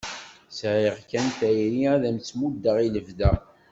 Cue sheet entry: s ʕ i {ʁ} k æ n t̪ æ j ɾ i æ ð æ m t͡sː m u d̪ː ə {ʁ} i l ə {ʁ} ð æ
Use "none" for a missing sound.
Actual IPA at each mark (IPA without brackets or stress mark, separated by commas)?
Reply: ʁ, ʁ, v